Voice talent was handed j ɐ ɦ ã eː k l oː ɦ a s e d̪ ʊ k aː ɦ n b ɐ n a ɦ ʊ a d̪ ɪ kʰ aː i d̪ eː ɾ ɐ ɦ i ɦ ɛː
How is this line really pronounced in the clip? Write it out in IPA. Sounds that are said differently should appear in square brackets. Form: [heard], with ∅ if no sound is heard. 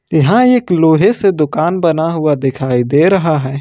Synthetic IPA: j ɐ ɦ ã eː k l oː ɦ [e] s e d̪ ʊ k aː [∅] n b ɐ n a ɦ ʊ a d̪ ɪ kʰ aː i d̪ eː ɾ ɐ ɦ [a] ɦ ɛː